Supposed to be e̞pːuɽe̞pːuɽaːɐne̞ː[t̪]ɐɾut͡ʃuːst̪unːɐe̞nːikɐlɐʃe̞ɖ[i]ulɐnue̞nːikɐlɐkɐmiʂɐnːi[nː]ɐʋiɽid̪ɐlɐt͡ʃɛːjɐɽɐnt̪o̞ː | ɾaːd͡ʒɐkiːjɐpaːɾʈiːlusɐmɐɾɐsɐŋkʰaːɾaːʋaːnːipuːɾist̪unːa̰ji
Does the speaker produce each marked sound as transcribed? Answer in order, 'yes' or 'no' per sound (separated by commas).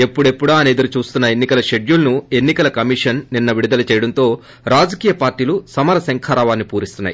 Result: no, no, yes